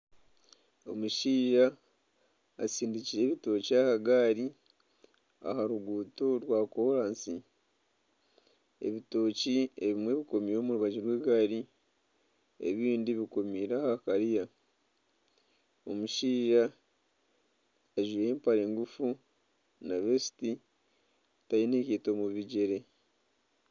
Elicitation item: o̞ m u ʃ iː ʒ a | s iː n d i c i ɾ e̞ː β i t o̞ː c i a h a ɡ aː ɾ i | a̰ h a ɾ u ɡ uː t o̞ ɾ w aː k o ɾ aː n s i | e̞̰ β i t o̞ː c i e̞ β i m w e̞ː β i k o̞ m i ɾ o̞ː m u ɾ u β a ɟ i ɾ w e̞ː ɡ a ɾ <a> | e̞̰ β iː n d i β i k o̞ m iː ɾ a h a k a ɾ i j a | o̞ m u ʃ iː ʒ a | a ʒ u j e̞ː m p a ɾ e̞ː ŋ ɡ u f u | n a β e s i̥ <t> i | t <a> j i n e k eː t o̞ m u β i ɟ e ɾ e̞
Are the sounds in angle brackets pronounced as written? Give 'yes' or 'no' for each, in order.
no, yes, yes

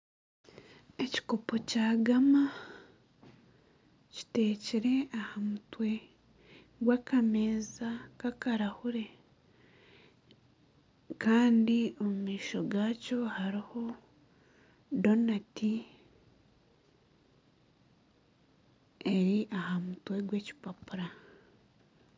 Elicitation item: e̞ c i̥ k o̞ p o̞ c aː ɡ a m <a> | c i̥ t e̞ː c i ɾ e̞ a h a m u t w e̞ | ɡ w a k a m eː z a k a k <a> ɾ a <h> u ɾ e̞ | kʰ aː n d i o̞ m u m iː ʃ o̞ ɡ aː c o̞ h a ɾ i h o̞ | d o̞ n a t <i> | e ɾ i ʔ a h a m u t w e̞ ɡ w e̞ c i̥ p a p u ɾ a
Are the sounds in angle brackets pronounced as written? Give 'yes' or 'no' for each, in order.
yes, yes, yes, yes

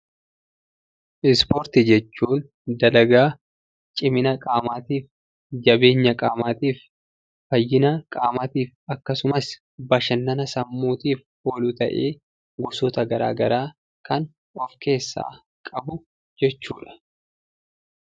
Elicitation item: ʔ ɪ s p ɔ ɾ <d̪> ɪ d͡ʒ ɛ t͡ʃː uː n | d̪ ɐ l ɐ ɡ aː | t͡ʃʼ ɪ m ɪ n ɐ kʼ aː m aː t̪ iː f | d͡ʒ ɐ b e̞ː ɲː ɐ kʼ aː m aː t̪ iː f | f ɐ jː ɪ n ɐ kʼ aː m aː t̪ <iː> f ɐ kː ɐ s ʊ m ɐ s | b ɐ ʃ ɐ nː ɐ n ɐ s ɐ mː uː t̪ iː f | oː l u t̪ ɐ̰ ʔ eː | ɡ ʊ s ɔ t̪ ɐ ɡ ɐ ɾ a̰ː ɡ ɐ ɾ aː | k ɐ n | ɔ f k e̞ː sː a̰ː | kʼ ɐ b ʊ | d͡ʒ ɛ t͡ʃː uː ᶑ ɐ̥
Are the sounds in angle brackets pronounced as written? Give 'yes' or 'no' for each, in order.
no, yes

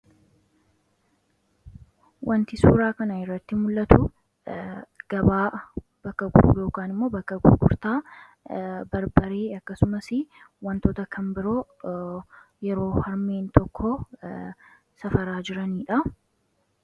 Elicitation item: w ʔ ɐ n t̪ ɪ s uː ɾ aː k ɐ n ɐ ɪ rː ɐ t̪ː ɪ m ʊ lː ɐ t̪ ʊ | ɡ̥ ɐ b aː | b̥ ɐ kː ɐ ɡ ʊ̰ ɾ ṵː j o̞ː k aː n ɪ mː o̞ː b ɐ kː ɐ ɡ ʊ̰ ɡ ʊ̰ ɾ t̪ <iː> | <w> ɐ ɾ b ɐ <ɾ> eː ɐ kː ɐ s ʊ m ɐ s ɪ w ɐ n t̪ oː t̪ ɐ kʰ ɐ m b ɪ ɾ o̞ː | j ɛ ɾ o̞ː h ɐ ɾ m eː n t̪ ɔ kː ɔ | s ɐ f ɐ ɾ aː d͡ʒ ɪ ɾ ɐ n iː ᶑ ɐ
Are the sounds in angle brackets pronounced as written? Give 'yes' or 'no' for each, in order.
no, no, yes

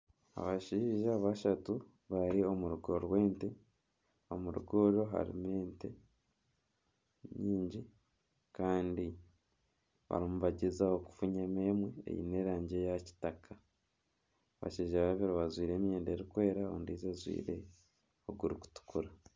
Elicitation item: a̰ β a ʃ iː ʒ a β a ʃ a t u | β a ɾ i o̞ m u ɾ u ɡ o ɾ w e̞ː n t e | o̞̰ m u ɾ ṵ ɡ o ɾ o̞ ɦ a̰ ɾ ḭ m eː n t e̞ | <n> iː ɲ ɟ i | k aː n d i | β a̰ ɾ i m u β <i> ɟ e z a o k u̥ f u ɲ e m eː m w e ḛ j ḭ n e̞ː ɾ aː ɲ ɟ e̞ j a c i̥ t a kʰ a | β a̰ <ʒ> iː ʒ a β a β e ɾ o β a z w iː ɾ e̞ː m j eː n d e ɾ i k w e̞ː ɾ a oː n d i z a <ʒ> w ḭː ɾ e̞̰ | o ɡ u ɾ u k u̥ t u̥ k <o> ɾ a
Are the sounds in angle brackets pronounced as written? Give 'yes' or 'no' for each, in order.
no, no, no, no, no

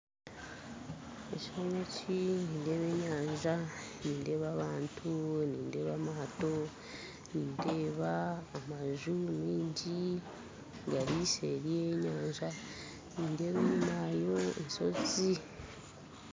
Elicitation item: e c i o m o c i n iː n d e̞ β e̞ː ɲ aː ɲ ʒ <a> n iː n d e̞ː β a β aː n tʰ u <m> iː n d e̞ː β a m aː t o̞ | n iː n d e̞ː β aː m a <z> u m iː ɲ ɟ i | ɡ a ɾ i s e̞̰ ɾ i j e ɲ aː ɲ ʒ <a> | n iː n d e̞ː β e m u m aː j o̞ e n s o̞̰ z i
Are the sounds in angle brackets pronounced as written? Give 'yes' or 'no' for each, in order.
yes, no, no, yes

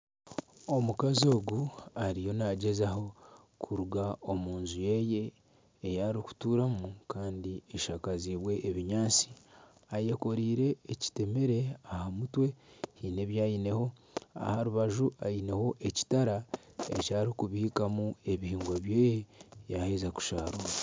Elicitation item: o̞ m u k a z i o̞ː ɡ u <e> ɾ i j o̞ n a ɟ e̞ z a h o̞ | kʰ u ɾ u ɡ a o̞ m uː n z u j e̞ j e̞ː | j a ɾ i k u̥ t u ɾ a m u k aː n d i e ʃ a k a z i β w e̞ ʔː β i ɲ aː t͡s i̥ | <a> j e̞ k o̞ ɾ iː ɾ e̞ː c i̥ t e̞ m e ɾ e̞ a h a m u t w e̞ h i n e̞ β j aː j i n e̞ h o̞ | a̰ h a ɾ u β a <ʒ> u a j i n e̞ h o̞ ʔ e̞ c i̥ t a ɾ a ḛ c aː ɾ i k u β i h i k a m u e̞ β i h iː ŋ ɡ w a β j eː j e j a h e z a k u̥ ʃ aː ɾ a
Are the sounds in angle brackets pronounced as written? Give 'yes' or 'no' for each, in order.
no, yes, yes

